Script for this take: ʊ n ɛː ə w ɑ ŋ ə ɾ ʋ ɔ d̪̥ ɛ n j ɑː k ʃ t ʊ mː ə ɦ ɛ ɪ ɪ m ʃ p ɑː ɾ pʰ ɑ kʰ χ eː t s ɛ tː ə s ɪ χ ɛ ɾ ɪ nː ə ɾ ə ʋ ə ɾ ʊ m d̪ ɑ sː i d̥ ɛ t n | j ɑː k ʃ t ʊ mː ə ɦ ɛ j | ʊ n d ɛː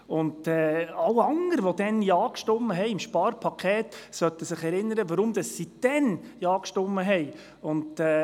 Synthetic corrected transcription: ʊ n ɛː ɑ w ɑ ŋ ə ɾ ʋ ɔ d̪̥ ɛ n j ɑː k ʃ t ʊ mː ə ɦ ɛ ɪ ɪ m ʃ p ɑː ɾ pʰ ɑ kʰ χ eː t s œ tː ə s ɪ χ ɛ ɾ ɪ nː ə ɾ ə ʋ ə ɾ ʊ m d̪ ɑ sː i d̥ ɛ n | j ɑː k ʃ t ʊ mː ə ɦ ɛ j | ʊ n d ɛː

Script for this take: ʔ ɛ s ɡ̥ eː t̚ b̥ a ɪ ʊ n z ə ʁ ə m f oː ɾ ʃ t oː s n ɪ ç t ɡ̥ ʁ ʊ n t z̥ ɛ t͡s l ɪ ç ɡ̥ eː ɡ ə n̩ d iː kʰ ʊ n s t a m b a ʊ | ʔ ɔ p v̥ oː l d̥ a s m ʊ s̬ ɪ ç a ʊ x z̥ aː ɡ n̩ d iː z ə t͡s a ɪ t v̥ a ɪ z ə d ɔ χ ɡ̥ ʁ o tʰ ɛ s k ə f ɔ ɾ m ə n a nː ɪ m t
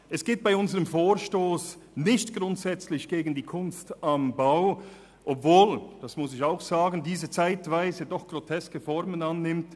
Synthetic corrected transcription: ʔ ɛ s ɡ̥ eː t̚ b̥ a ɪ ʊ n z ə ʁ ə m f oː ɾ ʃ t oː s n ɪ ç t ɡ̥ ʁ ʊ n t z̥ ɛ t͡s l ɪ ç ɡ̥ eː ɡ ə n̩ d iː kʰ ʊ n s t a m b a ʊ | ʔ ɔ p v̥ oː l d̥ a s m ʊ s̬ ɪ ç a ʊ x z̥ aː ɡ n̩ d iː z ə t͡s a ɪ t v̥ a ɪ z ə d ɔ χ ɡ̥ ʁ o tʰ ɛ s k ə f ɔ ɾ m ə n a nː ɪ m t

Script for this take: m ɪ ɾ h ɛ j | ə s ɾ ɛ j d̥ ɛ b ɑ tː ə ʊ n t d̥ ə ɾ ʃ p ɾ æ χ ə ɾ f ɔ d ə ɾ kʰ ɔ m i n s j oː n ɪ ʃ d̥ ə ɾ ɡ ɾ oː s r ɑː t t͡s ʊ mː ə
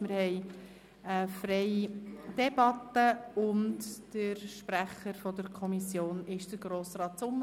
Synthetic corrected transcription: m ɪ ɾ h ɛ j | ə f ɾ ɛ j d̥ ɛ b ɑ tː ə ʊ n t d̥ ə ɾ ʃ p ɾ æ χ ə ɾ f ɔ d ə ɾ kʰ ɔ m i s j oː n ɪ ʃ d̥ ə ɾ ɡ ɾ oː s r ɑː t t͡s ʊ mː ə

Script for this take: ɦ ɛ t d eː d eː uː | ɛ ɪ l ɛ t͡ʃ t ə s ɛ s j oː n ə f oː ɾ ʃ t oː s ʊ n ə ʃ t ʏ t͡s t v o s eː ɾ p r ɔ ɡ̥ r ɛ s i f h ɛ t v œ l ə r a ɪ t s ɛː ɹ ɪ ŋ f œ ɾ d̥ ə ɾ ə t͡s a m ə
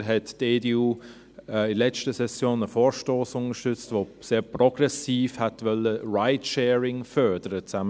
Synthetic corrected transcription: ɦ ɛ t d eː d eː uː | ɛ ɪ l ɛ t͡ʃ t ə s ɛ s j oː n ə f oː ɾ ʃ t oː s ʊ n ə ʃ t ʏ t͡s t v o s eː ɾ p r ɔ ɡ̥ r ɛ s iː f h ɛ t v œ l ə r a ɪ t ʃ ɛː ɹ ɪ ŋ f œ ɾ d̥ ə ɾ ə t͡s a m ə

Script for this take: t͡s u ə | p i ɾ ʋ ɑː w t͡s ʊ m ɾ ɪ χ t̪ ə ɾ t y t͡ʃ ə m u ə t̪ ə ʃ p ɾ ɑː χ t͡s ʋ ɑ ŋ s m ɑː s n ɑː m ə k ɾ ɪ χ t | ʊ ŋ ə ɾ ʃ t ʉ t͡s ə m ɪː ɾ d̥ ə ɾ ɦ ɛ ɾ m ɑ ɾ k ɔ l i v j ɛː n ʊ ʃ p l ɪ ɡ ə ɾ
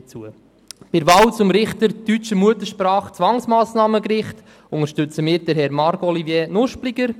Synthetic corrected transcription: t͡s u ə | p ɪ ɾ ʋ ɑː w t͡s ʊ m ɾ ɪ χ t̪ ə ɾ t y t͡ʃ ə m u ə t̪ ə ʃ p ɾ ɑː χ t͡s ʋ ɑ ŋ s m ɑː s n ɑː m ə k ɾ ɪ χ t | ʊ ŋ ə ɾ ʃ t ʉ t͡s ə m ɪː ɾ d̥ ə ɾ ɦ ɛ ɾ m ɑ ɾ k ɔ l i v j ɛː n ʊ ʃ p l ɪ ɡ ə ɾ

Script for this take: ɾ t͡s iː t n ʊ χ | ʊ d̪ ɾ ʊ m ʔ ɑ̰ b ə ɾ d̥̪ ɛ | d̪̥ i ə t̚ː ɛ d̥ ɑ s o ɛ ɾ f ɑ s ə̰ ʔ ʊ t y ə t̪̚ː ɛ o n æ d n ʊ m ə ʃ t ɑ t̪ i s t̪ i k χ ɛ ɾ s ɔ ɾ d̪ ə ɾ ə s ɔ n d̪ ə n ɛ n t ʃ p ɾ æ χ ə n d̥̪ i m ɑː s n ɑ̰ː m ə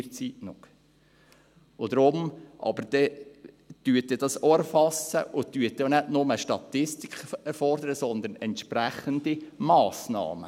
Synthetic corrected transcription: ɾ t͡s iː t n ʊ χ | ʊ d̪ ɾ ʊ m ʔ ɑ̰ b ə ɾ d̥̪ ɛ | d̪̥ y ə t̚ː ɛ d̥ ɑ s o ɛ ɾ f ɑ s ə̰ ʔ ʊ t y ə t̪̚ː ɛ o n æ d n ʊ m ə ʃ t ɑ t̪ ɪ s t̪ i k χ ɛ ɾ f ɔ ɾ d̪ ə ɾ ə s ɔ n d̪ ə n ɛ n t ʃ p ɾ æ χ ə n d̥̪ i m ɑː s n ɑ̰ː m ə

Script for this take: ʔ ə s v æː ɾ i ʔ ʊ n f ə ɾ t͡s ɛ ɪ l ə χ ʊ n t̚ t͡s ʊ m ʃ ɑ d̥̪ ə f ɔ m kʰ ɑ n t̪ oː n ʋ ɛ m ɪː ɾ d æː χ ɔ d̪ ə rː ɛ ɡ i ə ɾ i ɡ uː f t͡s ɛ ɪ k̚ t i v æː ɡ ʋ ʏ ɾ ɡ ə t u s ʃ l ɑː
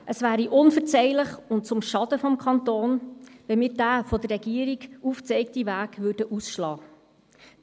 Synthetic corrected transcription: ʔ ə s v æː ɾ i ʔ ʊ n f ə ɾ t͡s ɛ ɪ l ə χ ʊ n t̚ t͡s ʊ m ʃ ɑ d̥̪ ə f ɔ m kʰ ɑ n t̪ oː n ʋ ɛ m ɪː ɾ d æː f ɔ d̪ ə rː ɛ ɡ i ə ɾ i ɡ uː f t͡s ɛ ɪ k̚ t i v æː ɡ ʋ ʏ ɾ d ə ʔ u s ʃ l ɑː

